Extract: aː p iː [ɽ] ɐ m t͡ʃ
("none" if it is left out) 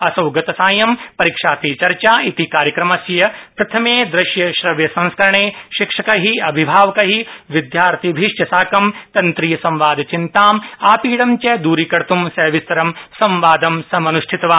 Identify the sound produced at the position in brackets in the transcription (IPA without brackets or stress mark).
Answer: ɽ